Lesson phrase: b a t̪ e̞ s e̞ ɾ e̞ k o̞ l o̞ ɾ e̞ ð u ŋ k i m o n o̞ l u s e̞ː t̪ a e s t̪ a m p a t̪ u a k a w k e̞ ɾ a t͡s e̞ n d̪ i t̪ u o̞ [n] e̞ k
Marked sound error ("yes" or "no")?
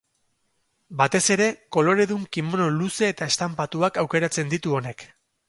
no